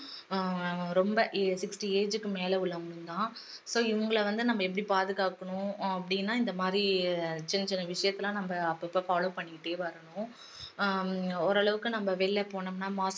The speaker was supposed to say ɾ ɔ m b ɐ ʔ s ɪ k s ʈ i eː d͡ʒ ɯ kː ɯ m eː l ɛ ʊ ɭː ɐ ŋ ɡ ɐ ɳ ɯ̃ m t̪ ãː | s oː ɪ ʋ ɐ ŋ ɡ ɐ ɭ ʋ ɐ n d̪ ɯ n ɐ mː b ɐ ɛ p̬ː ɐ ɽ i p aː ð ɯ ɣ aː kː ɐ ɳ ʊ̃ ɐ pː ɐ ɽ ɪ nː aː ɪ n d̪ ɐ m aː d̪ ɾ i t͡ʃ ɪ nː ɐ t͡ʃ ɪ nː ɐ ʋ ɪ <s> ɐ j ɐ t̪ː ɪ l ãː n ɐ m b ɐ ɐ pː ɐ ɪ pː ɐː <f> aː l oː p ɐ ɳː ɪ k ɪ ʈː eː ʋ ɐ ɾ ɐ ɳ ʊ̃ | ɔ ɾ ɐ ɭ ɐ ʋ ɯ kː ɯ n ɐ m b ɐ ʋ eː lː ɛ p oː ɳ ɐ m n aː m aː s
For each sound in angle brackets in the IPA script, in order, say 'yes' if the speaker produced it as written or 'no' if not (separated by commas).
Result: no, yes